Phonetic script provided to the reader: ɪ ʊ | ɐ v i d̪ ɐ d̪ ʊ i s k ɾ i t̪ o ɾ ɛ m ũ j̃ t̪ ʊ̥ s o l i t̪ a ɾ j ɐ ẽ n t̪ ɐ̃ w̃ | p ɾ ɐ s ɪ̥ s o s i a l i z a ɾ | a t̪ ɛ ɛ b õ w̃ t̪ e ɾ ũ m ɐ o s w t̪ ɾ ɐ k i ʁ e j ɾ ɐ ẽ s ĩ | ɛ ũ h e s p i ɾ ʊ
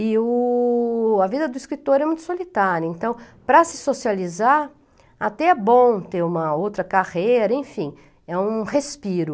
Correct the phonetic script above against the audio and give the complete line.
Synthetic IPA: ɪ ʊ | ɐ v i d̪ ɐ d̪ ʊ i s k ɾ i t̪ o ɾ ɛ m ũ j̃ t̪ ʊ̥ s o l i t̪ a ɾ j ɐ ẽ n t̪ ɐ̃ w̃ | p ɾ ɐ s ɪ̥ s o s i a l i z a ɾ | a t̪ ɛ ɛ b õ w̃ t̪ e ɾ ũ m ɐ o w t̪ ɾ ɐ k a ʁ e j ɾ ɐ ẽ f ĩ | ɛ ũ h e s p i ɾ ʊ